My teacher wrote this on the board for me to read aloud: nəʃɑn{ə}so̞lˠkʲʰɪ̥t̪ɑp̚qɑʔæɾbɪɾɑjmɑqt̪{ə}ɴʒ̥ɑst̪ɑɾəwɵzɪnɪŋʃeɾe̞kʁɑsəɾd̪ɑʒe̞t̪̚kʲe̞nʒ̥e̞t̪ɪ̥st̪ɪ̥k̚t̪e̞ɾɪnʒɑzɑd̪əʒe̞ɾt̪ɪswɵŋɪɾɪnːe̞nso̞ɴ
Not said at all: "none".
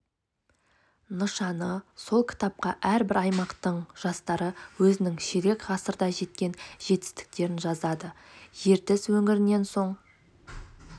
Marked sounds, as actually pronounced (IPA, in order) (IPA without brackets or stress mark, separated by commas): ə, ə